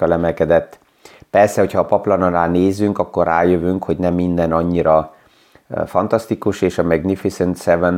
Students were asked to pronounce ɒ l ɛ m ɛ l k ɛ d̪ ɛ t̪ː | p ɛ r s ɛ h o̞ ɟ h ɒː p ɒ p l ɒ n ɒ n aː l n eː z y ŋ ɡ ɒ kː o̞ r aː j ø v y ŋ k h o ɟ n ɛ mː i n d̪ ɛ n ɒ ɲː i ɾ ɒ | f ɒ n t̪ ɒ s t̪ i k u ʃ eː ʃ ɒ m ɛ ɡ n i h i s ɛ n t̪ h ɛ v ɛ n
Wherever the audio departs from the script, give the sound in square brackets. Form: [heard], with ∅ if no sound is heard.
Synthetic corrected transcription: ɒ l ɛ m ɛ l k ɛ d̪ ɛ t̪ː | p ɛ r s ɛ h o̞ [c] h ɒː p ɒ p l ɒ n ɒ n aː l n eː z y ŋ [k] ɒ kː o̞ r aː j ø v y ŋ k h o ɟ n ɛ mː i n d̪ ɛ n ɒ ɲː i ɾ ɒ | f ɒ n t̪ ɒ s t̪ i k u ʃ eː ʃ ɒ m ɛ ɡ n i [f] i s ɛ n t̪ [s] ɛ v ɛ n